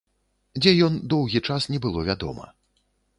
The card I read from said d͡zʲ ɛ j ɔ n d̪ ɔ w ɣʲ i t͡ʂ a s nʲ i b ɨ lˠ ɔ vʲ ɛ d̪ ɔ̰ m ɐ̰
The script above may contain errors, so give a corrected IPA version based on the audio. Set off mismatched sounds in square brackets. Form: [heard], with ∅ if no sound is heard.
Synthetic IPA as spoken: d͡zʲ ɛ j ɔ n d̪ ɔ w ɣʲ i t͡ʂ a s nʲ [ɛ] b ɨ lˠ ɔ vʲ [a] d̪ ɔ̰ m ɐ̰